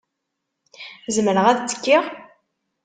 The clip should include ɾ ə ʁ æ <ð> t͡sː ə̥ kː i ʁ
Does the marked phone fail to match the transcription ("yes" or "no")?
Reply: no